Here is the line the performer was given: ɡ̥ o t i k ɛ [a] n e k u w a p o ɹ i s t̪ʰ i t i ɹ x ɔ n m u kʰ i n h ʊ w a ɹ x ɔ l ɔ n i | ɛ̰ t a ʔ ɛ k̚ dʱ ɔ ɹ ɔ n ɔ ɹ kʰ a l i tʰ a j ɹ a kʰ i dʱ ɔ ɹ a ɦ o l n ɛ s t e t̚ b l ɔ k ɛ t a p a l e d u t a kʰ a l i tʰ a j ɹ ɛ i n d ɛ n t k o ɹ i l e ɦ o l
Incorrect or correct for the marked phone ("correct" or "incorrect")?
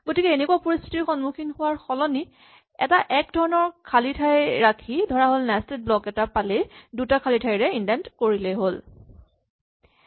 incorrect